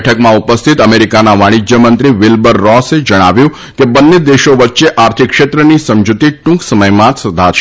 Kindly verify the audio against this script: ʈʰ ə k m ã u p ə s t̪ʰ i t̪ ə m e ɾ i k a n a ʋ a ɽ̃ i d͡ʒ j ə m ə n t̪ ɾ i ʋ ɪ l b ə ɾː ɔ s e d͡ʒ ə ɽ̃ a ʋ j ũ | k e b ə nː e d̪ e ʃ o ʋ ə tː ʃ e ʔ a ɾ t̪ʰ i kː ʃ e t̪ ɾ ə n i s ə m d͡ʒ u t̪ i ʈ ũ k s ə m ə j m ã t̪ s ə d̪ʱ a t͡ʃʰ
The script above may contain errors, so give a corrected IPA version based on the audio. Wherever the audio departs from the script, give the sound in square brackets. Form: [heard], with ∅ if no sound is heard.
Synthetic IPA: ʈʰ ə k m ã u p ə s t̪ʰ i t̪ ə m e ɾ i k a n a ʋ a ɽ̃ i d͡ʒ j ə m ə n t̪ ɾ i ʋ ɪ l b ə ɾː ɔ s e d͡ʒ ə ɽ̃ a ʋ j ũ | k e b ə nː e d̪ e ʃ o ʋ ə tː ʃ e ʔ a ɾ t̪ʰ i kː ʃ e t̪ ɾ ə n i s ə m d͡ʒ u t̪ i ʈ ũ k s ə m ə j m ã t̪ s ə d̪ʱ a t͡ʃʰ